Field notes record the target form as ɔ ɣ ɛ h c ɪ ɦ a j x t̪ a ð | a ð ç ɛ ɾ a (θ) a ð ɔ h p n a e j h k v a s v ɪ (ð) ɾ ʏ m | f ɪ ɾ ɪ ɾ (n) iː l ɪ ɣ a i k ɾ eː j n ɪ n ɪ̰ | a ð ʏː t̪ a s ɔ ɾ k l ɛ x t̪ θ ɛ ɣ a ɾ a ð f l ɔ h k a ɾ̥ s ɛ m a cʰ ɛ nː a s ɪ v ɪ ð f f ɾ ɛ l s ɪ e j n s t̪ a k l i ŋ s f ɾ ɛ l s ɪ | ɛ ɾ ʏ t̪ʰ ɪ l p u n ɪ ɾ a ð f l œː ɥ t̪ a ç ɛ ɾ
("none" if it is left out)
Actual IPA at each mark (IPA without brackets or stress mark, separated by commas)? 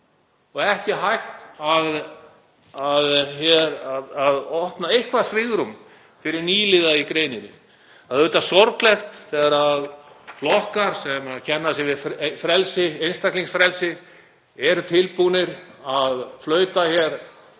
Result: ð, ɣ, n